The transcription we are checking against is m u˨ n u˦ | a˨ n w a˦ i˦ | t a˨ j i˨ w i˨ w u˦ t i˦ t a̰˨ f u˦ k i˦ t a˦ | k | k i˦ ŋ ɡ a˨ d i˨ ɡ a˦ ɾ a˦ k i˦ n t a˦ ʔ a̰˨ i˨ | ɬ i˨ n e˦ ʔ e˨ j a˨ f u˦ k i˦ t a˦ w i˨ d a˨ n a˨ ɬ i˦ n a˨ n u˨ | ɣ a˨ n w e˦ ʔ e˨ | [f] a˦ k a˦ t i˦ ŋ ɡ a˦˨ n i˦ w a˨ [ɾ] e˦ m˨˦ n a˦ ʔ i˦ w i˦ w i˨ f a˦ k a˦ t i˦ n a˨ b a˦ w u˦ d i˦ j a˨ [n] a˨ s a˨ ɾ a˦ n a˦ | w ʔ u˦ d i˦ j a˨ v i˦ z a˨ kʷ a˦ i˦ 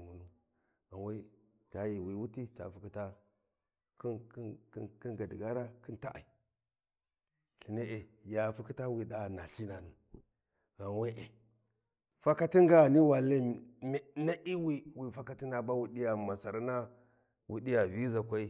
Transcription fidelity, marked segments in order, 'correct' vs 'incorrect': correct, incorrect, incorrect

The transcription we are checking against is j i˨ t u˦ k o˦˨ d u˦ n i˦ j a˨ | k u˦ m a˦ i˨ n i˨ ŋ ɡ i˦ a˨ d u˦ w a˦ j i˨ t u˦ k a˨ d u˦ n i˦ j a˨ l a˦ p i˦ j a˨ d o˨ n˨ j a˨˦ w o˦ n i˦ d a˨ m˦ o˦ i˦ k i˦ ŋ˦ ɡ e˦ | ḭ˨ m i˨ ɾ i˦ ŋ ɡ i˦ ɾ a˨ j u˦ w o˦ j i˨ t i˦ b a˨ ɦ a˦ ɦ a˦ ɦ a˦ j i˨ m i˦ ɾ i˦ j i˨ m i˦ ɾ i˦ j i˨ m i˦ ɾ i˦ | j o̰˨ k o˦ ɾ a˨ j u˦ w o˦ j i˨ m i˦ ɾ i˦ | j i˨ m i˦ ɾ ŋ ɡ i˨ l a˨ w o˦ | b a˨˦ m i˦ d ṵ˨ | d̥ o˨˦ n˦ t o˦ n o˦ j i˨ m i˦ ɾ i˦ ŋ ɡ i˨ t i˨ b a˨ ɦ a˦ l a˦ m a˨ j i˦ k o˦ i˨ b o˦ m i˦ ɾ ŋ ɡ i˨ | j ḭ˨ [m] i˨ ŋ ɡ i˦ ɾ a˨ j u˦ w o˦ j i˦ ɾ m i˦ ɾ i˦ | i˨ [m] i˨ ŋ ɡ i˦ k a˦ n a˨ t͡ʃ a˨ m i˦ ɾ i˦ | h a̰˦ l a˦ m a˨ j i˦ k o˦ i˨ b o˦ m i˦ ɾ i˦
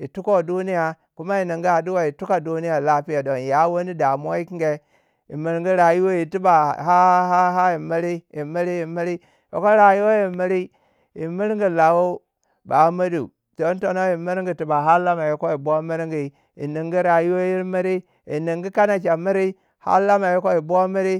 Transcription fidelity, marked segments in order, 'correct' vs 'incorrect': incorrect, incorrect

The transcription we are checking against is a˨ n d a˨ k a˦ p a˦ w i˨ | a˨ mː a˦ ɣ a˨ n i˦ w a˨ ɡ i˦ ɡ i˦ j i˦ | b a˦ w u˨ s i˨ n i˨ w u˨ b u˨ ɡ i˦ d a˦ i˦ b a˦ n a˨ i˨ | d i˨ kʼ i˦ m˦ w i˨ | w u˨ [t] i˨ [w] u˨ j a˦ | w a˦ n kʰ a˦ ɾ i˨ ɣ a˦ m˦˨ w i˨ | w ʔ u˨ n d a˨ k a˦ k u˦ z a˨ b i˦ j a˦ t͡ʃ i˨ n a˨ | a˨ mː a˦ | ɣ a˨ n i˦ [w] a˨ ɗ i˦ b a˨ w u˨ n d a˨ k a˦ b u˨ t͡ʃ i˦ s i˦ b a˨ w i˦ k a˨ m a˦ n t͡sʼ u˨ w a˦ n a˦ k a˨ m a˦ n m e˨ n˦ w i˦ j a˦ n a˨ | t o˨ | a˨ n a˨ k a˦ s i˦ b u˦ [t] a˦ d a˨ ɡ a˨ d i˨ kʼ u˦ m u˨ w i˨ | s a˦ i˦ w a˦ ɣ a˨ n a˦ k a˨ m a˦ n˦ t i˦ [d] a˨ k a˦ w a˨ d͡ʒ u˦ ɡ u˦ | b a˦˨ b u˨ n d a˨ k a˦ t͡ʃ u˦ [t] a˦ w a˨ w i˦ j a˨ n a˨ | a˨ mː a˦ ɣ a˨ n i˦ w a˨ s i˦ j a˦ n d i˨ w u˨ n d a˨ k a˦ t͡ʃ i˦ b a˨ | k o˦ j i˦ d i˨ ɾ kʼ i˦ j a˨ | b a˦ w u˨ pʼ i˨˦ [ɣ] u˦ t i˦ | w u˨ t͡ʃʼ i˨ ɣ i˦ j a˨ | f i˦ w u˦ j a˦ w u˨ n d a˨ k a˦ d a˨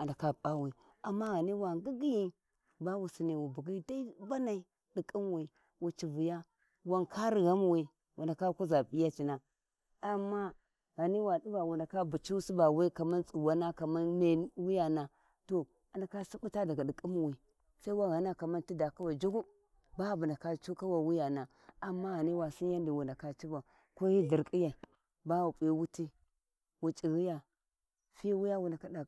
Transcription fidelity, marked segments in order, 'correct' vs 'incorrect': incorrect, incorrect, correct, correct, correct, incorrect, incorrect

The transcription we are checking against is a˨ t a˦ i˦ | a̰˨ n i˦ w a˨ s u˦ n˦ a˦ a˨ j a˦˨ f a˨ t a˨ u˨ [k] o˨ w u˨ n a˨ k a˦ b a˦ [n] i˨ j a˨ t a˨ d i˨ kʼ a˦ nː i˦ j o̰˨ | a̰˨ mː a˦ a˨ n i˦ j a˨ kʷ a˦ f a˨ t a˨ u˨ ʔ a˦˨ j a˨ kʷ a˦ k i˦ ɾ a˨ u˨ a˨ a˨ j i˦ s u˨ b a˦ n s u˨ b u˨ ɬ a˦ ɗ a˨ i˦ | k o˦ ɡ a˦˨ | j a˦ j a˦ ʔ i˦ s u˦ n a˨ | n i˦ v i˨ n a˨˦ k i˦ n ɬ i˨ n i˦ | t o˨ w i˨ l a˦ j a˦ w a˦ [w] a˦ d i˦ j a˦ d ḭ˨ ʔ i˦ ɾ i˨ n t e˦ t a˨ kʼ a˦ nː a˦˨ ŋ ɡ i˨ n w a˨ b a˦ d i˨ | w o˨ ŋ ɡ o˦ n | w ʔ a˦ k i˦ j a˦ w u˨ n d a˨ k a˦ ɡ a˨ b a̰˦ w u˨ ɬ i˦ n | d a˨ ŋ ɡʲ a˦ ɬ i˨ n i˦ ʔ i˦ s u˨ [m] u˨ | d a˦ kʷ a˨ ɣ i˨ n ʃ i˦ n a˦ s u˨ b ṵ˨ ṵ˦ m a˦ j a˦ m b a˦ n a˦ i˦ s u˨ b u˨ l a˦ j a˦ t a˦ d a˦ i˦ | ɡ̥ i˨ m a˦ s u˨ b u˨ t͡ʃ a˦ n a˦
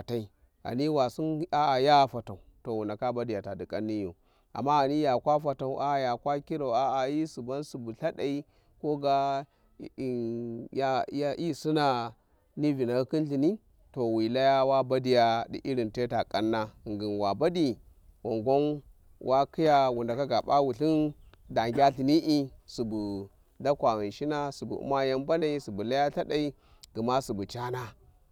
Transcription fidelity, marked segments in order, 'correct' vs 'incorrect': incorrect, incorrect, incorrect, incorrect

